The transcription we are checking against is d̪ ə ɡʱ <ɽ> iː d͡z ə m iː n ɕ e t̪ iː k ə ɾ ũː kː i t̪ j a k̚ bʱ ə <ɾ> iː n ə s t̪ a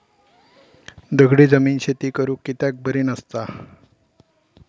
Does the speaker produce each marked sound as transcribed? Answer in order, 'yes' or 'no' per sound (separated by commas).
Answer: yes, yes